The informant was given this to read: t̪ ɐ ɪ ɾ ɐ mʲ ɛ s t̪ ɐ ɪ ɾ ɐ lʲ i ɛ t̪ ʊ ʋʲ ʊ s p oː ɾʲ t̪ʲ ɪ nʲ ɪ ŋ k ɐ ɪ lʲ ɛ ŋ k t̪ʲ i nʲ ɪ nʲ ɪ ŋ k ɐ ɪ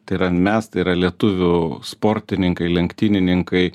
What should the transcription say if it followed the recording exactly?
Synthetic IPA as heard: t̪ ɐ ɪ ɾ ɐ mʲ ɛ s t̪ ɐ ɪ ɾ ɐ lʲ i ɛ t̪ ʊ ʋʲ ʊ s p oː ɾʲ t̪ʲ ɪ nʲ ɪ ŋ k ɐ ɪ lʲ ɛ ŋ k t̪ʲ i nʲ ɪ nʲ ɪ ŋ k ɐ ɪ